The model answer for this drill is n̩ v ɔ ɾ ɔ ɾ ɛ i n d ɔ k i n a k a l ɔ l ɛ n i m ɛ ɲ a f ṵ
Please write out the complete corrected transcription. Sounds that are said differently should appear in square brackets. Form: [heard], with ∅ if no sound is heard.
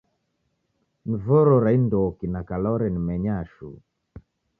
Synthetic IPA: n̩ v ɔ ɾ ɔ ɾ [a] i n d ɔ k i n a k a l ɔ [ɾ] ɛ n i m ɛ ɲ a [ʃ] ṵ